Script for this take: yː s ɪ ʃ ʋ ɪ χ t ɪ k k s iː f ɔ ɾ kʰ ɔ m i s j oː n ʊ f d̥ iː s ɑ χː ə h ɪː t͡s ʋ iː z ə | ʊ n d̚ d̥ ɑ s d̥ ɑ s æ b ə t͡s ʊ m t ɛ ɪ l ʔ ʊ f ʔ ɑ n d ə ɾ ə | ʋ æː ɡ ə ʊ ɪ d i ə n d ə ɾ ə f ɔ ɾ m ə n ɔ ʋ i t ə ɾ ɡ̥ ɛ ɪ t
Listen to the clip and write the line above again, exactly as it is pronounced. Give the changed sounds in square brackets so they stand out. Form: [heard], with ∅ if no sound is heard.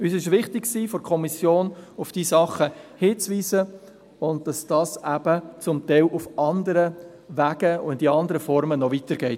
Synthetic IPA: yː s ɪ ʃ ʋ ɪ χ t ɪ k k s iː f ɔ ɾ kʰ ɔ m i s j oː n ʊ f d̥ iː s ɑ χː ə h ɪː t͡s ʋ iː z ə | ʊ n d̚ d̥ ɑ s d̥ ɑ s æ b ə t͡s ʊ m t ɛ ɪ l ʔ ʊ f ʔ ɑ n d ə ɾ ə | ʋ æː ɡ ə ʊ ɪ d i [ɑ] n d ə ɾ ə f ɔ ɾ m ə n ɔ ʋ i t ə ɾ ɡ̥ ɛ ɪ t